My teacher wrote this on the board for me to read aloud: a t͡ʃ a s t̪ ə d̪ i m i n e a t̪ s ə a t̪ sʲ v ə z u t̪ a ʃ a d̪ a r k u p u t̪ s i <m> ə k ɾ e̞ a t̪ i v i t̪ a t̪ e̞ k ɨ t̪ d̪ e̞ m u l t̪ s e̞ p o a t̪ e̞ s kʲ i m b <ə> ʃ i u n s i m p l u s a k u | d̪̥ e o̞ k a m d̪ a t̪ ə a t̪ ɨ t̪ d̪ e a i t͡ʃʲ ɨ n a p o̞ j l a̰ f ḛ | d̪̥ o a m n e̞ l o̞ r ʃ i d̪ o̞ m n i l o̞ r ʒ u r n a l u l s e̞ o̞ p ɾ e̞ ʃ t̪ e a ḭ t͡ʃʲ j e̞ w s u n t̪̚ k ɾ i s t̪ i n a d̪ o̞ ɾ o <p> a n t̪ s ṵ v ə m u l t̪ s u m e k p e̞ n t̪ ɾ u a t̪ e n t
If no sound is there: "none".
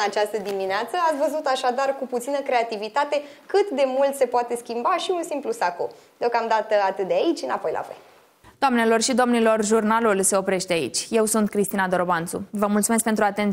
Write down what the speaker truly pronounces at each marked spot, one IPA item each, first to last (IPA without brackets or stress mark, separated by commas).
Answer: n, a, b